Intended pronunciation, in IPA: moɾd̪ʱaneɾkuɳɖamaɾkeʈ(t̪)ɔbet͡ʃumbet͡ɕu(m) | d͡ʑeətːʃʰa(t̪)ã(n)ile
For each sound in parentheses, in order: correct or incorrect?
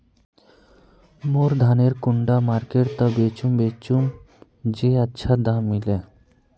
correct, correct, incorrect: d̪, incorrect: m

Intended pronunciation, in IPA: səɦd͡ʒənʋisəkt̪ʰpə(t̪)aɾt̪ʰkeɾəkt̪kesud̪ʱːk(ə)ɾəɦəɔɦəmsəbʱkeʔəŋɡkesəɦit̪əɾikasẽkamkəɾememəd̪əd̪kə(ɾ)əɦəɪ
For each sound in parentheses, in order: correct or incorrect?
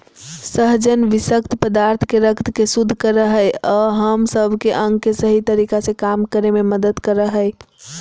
incorrect: d̪, correct, correct

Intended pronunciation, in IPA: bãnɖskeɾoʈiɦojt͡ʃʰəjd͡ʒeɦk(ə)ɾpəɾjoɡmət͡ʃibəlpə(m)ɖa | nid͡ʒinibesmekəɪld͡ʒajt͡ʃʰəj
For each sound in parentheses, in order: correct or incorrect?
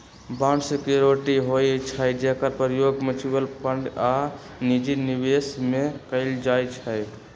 correct, incorrect: ɳ

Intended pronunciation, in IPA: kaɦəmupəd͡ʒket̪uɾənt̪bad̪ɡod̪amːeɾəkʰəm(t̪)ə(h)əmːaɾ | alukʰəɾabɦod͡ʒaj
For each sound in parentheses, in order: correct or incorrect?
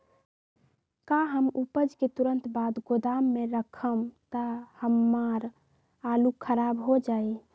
correct, correct

